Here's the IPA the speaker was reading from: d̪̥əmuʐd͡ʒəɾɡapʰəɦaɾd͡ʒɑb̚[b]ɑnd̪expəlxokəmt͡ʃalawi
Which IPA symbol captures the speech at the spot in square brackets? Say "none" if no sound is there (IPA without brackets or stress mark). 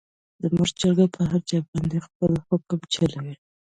b